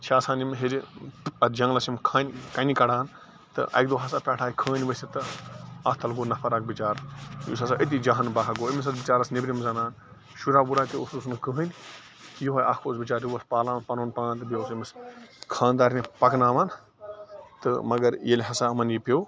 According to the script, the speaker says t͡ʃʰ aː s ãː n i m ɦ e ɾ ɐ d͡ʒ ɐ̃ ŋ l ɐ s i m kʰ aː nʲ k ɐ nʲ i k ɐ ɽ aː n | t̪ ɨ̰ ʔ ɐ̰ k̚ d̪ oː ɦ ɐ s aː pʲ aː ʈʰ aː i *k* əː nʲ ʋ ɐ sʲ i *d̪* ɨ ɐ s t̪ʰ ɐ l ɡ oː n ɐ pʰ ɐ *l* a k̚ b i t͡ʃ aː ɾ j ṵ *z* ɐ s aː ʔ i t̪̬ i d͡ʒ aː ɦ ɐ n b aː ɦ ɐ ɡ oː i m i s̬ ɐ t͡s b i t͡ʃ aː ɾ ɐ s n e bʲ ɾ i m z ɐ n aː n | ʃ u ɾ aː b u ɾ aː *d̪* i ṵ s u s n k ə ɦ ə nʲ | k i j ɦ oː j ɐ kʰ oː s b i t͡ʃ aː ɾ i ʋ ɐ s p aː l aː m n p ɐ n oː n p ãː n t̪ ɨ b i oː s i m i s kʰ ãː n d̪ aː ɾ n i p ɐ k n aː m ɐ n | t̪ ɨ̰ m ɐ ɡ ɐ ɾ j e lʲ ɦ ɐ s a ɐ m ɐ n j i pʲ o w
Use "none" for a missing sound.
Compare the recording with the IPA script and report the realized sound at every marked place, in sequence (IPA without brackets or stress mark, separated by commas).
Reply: kʰ, t̪, ɾ, s, t̪